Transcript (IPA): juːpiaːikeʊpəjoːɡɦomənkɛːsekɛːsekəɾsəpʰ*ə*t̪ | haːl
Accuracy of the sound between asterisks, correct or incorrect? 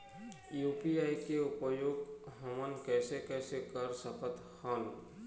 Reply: correct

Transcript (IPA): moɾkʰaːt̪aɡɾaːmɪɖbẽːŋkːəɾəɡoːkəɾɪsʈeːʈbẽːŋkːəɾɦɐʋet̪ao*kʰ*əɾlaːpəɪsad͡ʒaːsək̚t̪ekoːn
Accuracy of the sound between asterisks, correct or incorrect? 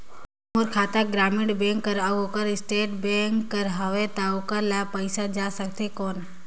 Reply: incorrect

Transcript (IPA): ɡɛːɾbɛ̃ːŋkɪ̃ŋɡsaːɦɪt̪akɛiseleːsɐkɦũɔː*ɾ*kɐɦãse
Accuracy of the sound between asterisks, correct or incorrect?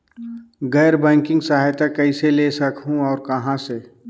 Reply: correct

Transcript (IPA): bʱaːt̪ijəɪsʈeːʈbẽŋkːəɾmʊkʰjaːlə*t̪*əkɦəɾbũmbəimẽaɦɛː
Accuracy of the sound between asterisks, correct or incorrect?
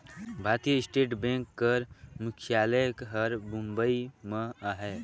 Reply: incorrect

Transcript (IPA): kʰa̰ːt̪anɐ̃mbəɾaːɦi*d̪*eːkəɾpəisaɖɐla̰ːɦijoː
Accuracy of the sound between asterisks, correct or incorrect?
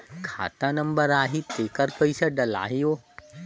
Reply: incorrect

